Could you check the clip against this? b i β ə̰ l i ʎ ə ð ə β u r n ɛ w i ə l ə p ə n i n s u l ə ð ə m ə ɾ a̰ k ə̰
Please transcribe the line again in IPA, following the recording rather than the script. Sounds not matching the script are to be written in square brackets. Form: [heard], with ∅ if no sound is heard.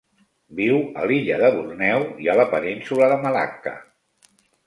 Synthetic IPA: b i [w] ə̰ l i ʎ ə ð ə β u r n ɛ w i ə l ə p ə n i n s u l ə ð ə m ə [l] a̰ k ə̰